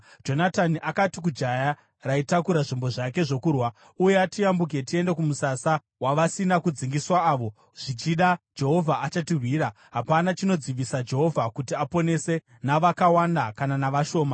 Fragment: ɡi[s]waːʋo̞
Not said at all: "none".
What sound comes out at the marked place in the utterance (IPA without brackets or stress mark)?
s